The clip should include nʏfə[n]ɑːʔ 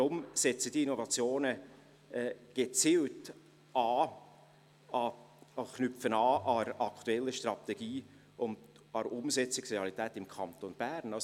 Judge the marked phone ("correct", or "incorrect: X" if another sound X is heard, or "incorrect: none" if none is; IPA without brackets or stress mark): correct